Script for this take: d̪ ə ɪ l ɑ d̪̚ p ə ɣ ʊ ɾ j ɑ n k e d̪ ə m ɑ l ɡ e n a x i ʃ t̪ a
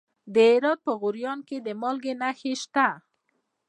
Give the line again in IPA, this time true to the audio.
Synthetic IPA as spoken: d̪ ə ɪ ɾ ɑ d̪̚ p ə ɣ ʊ ɾ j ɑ n k e d̪ ə m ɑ l ɡ e n a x e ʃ t̪ a